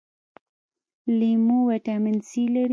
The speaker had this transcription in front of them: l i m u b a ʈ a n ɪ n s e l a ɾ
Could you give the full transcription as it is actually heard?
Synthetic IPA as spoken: l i m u w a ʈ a m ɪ n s i l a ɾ

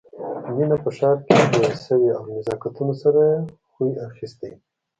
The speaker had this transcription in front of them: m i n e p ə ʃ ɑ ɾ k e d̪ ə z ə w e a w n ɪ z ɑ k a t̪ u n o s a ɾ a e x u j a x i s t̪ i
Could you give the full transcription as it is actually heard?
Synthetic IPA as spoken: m i n a p ə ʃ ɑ ɾ k e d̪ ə s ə w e a w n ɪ z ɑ k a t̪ u n o s a ɾ a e x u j a x i s t̪ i

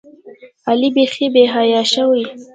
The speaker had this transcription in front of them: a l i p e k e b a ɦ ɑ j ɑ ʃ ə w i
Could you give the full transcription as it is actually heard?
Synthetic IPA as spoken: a l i b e x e b e ɦ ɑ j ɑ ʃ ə w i

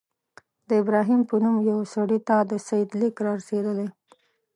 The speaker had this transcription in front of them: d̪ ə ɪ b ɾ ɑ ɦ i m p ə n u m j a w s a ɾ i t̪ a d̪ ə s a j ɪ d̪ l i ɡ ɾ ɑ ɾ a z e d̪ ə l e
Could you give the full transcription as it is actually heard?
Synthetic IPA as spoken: d̪ ə ɪ b ɾ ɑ ɦ i m p ə n u m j a w s a ɽ i t̪ a d̪ ə s a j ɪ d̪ l i k ɾ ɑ ɾ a s e d̪ ə l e

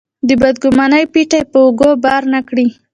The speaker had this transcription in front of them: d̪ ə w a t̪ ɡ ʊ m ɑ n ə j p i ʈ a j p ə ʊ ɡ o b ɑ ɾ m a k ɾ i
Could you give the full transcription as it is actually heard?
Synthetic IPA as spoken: d̪ ə b a d̪ ɡ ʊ m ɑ n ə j p i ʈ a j p ə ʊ ɡ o b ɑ ɾ n a k ɽ i

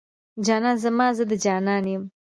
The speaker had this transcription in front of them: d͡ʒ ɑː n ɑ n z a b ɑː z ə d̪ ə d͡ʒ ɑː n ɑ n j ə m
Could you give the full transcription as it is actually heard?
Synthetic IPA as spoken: d͡ʒ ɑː n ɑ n z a m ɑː z ə d̪ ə d͡ʒ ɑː n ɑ n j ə m

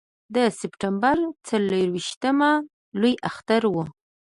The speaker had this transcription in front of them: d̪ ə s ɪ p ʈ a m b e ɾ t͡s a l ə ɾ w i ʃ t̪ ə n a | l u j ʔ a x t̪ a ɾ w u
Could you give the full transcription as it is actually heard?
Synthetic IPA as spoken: d̪ ə s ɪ p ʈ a m b a ɾ t͡s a l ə ɾ w i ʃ t̪ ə m a | l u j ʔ a x t̪ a ɾ w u

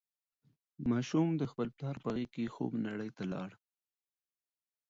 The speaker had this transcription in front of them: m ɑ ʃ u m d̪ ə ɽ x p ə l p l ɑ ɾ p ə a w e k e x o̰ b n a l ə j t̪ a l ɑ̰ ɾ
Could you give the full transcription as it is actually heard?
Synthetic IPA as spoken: m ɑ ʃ u m d̪ ə x p ə l p l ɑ ɾ p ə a ɣ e k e x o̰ b n a ɽ ə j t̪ a l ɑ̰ ɽ

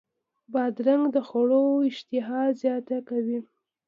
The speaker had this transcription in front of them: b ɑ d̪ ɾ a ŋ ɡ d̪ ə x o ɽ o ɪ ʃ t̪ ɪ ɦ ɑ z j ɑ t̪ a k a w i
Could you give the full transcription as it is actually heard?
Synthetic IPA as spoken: b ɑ d̪ ɾ a ŋ ɡ d̪ ə x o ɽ o ɪ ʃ t̪ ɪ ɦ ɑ z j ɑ t̪ a k a w i

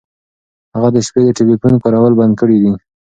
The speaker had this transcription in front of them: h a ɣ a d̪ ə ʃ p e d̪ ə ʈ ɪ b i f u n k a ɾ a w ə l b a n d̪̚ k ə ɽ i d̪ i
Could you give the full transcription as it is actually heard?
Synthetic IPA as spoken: h a ɣ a d̪ ə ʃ p e d̪ ə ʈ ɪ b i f u n k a ɾ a w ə l b a n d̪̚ k ə ɽ i d̪ i

